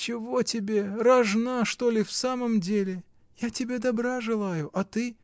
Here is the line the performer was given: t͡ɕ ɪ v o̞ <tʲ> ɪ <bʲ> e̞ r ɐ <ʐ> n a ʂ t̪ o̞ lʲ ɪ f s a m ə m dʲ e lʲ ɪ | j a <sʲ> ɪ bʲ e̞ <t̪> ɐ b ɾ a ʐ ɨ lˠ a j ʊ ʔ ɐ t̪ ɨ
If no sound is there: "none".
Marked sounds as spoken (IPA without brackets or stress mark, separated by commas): tʲ, bʲ, ʐ, tʲ, d̪